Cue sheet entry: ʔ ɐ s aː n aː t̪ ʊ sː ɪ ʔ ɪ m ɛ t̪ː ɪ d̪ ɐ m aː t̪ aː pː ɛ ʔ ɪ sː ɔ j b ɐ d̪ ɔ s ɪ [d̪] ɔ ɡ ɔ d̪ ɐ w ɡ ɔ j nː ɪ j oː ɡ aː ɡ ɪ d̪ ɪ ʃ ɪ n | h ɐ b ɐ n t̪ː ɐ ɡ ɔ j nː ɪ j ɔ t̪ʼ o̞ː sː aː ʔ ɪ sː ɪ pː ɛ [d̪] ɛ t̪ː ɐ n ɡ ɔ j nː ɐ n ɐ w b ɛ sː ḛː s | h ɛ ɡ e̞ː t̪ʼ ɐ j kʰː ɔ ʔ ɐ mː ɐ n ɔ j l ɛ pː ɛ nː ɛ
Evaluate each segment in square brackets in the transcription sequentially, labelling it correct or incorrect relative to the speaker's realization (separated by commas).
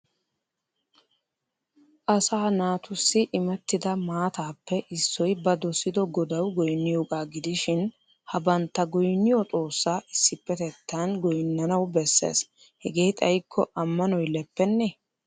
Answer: correct, incorrect